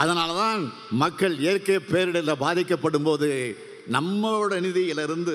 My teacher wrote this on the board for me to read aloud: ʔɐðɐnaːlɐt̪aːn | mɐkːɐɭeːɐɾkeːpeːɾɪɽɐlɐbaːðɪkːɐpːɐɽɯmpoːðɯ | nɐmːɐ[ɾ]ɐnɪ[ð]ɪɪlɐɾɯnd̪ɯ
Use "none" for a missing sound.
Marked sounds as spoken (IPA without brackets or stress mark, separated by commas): ɽ, ð